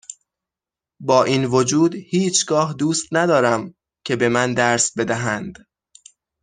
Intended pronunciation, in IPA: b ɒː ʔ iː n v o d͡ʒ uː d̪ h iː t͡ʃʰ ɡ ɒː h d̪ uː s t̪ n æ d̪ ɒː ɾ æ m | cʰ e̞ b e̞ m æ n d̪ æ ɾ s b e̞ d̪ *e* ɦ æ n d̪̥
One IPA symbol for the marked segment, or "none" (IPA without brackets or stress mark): æ